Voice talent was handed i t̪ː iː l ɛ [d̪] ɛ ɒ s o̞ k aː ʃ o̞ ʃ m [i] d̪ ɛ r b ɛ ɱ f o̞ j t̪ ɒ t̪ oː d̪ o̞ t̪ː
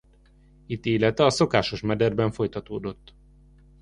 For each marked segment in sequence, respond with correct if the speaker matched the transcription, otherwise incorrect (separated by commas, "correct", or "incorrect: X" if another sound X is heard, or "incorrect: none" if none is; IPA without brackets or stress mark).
incorrect: t̪, incorrect: ɛ